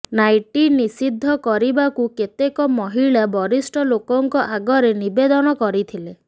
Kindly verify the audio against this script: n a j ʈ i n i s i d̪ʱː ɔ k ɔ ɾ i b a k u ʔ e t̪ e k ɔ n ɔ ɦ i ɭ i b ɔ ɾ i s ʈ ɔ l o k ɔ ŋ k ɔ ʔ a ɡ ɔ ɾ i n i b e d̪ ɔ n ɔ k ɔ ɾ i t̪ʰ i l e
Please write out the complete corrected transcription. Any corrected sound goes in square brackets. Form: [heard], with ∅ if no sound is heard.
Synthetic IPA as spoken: n a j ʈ i n i s i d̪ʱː ɔ k ɔ ɾ i b a k u [k] e t̪ e k ɔ [m] ɔ ɦ i ɭ [a] b ɔ ɾ i s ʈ ɔ l o k ɔ ŋ k ɔ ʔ a ɡ ɔ ɾ [e] n i b e d̪ ɔ n ɔ k ɔ ɾ i t̪ʰ i l e